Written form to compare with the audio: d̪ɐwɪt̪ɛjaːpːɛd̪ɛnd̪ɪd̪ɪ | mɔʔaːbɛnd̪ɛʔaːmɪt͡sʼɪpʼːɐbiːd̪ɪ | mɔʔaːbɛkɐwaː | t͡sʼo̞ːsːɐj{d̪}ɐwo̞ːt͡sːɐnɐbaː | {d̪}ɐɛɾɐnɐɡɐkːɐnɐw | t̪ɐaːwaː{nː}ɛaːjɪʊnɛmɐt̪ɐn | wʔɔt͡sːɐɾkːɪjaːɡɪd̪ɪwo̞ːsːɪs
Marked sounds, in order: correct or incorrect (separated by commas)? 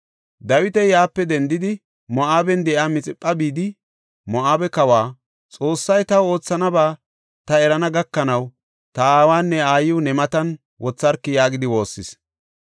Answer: incorrect, incorrect, correct